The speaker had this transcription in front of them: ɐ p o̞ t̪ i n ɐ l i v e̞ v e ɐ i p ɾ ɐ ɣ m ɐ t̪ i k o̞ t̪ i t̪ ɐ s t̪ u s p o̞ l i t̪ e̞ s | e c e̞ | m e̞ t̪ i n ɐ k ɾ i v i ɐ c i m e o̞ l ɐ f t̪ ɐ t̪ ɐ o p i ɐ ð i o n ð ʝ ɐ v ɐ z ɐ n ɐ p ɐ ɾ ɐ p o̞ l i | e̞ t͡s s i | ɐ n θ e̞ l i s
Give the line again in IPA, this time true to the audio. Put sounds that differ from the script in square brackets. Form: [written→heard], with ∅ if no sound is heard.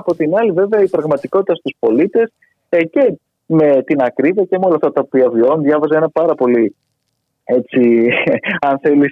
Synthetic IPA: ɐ p o̞ t̪ i n ɐ l i v e̞ v e ɐ i p ɾ ɐ ɣ m ɐ t̪ i k o̞ t̪ i t̪ ɐ s t̪ u s p o̞ l i t̪ e̞ s | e c e̞ | m e̞ t̪ i n ɐ k ɾ i v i ɐ c [i→e] m e o̞ l ɐ f t̪ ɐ t̪ ɐ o p i ɐ [ð→v] i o n ð ʝ ɐ v ɐ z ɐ n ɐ p ɐ ɾ ɐ p o̞ l i | e̞ t͡s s i | ɐ n θ e̞ l i s